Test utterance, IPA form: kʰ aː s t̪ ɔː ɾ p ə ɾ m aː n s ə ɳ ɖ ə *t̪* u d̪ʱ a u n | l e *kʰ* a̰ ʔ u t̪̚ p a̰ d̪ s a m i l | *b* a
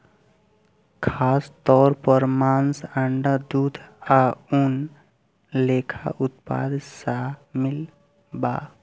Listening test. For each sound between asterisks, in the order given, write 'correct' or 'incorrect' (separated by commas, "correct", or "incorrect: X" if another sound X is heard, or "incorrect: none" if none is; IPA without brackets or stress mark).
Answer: incorrect: d̪, correct, correct